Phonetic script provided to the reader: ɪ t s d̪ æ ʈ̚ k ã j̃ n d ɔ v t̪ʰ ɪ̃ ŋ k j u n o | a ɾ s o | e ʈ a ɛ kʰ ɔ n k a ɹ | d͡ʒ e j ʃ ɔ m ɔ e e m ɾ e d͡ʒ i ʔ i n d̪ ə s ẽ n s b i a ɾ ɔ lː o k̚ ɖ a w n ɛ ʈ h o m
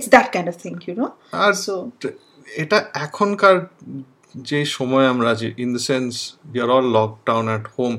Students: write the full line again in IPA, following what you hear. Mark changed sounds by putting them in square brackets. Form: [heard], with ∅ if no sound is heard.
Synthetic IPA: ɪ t s d̪ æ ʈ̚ k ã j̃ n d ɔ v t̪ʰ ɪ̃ ŋ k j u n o | a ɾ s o | e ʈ a ɛ kʰ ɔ n k a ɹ | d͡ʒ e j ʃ ɔ m ɔ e [a] m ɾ [a] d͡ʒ i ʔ i n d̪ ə s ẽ n s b i a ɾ ɔ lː [ɔ] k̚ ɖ a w n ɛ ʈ h o m